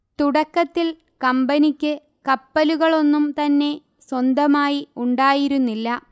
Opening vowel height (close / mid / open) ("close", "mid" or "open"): close